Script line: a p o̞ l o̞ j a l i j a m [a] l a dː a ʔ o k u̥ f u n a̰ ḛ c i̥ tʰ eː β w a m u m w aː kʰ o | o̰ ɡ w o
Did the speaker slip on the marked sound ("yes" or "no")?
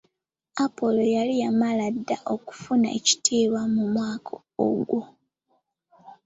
no